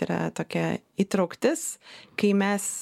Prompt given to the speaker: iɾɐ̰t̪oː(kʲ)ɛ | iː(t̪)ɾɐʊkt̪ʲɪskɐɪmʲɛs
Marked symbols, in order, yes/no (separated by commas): yes, yes